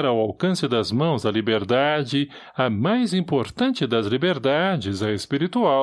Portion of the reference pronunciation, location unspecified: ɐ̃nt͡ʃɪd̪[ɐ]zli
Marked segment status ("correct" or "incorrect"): correct